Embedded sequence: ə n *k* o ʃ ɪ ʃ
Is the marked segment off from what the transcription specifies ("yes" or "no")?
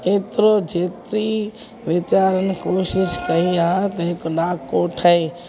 no